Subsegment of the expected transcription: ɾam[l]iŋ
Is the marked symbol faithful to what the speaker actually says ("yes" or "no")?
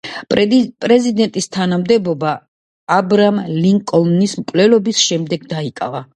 yes